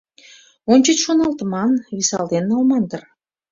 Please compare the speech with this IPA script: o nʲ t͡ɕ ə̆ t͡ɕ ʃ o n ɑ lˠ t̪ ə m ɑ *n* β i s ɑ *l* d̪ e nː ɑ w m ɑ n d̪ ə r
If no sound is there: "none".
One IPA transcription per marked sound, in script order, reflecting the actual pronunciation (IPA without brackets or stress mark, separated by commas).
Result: n, l